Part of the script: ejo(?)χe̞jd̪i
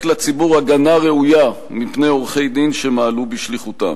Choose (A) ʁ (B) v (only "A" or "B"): A